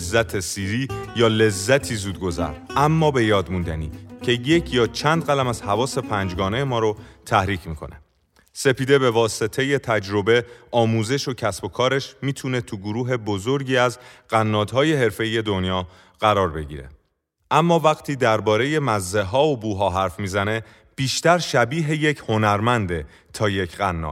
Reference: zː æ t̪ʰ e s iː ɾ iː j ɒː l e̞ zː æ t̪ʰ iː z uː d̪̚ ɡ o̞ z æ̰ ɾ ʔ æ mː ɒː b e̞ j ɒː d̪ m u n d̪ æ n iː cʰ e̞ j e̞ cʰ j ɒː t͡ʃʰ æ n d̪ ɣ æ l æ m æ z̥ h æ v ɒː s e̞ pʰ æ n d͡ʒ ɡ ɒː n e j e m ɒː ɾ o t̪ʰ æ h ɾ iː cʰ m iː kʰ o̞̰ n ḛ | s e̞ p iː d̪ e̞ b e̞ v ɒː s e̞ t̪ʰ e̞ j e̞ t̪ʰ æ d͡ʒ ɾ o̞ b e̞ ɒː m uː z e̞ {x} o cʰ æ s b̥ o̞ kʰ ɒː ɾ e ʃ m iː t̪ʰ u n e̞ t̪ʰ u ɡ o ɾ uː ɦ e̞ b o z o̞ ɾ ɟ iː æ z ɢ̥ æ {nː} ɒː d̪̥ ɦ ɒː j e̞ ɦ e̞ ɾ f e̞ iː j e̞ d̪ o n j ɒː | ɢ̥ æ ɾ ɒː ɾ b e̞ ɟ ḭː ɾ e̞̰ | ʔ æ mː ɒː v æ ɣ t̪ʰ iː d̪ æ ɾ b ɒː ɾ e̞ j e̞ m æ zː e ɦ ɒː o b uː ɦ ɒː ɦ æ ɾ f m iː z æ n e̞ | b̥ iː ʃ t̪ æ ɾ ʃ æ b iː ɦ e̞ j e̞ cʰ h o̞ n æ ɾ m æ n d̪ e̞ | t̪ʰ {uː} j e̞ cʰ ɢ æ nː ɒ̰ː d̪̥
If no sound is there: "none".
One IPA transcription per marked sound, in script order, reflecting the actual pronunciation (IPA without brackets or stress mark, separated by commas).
ʃ, nː, ɒː